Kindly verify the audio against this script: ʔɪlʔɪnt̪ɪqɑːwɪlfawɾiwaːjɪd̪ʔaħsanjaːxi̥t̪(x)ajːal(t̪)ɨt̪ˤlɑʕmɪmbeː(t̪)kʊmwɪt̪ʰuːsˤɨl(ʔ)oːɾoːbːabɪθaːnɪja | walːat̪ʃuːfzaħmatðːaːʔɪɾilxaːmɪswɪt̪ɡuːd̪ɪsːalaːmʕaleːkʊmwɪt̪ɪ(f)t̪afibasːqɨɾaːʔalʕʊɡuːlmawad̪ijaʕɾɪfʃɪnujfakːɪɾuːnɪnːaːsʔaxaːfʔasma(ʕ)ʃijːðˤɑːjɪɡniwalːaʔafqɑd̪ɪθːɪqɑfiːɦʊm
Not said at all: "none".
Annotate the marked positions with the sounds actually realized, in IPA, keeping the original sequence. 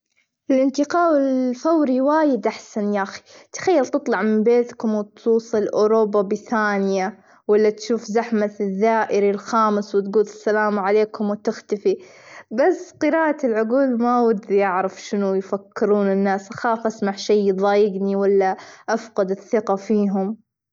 x, t̪, t̪, ʔ, x, ʕ

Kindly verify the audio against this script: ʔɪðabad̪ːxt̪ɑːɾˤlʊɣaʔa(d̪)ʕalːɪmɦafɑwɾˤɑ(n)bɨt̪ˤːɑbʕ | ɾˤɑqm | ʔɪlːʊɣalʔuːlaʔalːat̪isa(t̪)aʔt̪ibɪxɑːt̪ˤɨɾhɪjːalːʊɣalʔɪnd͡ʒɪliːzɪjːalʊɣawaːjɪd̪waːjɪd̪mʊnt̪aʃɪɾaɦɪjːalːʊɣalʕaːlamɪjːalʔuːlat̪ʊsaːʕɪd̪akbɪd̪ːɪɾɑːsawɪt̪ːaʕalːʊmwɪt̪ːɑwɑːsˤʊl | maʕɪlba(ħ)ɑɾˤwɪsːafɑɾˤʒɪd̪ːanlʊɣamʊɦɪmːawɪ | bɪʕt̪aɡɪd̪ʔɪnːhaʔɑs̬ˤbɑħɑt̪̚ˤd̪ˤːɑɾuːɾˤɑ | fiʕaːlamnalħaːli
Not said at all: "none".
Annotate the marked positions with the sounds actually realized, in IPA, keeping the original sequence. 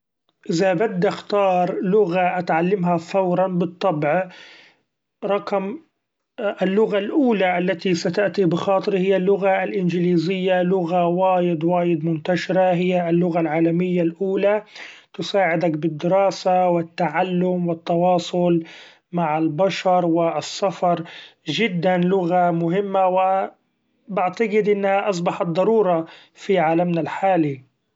t̪, n, t̪, ʃ

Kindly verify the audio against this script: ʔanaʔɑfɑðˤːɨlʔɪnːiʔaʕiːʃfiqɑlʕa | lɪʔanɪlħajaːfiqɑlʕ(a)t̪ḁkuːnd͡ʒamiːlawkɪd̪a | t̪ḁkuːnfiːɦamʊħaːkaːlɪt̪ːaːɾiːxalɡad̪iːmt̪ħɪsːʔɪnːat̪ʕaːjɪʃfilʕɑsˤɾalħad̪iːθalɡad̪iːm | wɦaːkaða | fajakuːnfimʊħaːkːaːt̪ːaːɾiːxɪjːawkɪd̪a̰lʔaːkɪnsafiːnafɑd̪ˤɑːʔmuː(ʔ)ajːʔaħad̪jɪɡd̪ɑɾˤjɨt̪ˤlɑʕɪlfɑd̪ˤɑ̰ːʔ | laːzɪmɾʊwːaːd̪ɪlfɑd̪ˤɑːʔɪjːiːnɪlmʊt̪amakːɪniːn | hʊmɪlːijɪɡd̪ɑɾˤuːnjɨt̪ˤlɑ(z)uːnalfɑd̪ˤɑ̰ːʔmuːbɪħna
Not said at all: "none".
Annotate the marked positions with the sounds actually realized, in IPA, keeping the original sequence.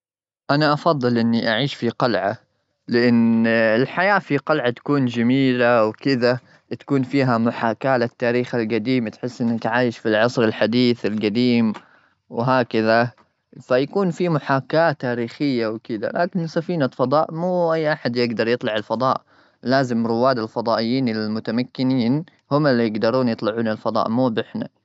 a, ʔ, ʕ

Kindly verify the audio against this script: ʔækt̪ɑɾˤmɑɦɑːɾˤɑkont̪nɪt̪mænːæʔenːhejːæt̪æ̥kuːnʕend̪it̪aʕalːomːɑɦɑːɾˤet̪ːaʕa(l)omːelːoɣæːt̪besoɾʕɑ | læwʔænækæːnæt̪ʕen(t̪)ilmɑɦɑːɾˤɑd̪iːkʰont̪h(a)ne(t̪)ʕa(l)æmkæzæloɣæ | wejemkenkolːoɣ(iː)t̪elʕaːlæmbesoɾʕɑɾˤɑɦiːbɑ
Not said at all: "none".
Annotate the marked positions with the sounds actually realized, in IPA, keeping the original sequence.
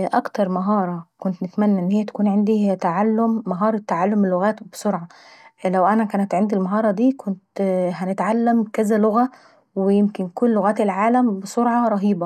lː, d̪, æ, t̪, lː, æː

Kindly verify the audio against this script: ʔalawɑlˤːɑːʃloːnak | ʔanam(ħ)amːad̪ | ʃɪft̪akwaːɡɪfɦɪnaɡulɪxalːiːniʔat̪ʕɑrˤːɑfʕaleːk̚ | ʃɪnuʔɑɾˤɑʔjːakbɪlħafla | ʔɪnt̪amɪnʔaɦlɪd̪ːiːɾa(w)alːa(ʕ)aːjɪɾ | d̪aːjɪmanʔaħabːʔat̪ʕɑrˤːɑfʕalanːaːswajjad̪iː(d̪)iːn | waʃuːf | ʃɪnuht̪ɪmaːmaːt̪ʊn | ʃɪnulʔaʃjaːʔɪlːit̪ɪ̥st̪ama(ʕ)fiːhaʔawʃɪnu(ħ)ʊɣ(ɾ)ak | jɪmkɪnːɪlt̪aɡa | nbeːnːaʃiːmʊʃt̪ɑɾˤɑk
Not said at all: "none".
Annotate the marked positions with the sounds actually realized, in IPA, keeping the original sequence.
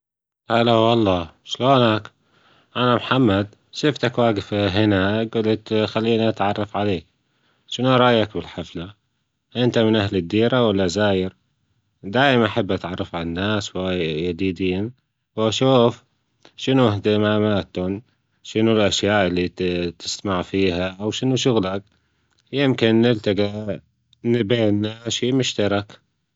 ħ, w, z, d̪, ʕ, ʃ, l

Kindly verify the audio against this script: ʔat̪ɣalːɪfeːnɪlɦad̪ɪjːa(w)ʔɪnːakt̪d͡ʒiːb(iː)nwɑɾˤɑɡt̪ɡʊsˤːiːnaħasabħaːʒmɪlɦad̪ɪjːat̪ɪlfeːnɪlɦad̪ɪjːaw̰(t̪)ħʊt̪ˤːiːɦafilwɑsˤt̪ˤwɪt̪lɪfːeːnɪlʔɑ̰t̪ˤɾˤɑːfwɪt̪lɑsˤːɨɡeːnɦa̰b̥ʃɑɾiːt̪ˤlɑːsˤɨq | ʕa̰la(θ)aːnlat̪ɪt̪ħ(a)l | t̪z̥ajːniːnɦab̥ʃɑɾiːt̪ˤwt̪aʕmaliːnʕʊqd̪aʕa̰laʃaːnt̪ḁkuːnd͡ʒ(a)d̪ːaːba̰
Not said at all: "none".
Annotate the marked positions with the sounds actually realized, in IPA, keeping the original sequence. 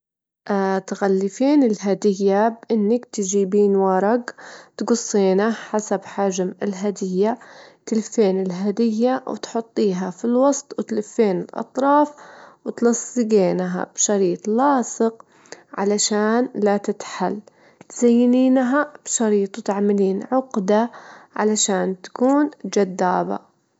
b, iː, t̪, ʃ, a, a

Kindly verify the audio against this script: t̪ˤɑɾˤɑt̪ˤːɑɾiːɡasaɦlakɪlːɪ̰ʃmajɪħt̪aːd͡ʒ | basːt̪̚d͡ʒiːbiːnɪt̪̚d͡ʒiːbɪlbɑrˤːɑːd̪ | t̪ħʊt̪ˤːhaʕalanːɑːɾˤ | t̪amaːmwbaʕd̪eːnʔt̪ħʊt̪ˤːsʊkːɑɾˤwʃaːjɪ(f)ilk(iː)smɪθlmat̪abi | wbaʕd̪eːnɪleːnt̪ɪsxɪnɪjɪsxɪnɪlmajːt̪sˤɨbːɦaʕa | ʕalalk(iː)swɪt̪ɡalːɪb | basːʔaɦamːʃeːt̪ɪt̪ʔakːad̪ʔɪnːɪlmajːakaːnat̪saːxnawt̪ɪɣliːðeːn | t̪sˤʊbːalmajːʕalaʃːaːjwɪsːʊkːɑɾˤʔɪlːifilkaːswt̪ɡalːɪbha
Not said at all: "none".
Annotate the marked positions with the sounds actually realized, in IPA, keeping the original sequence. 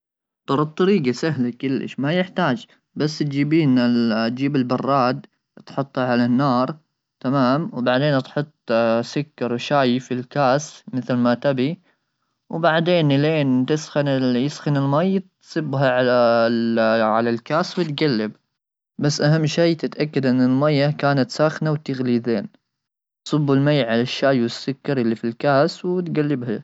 f, aː, aː

